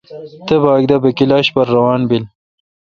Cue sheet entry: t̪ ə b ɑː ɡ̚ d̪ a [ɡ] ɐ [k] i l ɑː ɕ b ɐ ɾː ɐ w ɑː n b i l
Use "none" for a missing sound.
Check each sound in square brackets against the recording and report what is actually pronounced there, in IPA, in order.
b, k

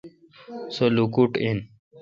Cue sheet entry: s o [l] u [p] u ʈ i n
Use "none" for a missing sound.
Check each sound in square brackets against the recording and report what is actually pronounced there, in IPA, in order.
l, k

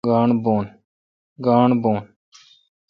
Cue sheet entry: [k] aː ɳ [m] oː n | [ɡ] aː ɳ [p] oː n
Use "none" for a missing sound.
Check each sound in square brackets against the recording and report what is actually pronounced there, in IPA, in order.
ɡ, b, ɡ, b

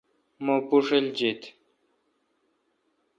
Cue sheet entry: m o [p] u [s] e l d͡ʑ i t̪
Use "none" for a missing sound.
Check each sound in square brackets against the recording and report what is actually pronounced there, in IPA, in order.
p, ʂ

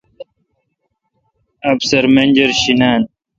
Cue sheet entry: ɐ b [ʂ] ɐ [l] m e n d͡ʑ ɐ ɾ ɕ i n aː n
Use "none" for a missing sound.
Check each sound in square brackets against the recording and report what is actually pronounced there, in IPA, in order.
s, ɾ

